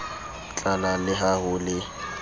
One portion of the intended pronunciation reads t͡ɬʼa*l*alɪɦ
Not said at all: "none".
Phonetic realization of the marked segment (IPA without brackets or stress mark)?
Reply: l